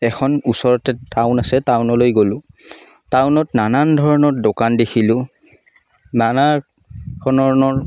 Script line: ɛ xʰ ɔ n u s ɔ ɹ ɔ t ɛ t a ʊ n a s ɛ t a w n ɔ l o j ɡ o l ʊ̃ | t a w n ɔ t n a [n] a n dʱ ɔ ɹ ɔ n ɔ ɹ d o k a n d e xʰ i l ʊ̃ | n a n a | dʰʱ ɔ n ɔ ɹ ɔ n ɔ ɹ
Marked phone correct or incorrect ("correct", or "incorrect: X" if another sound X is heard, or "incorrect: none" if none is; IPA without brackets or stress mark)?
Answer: correct